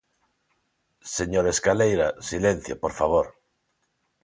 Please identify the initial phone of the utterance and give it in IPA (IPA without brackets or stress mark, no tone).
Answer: s